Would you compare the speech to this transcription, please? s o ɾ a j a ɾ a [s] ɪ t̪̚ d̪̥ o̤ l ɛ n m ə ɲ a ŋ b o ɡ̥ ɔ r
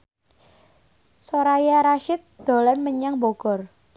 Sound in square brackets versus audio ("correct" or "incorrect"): incorrect